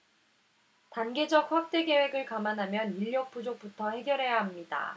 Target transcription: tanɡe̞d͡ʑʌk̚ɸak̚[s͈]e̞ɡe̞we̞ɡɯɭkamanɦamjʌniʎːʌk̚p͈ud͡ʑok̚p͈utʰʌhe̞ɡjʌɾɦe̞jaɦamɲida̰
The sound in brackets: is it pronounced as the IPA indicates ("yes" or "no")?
no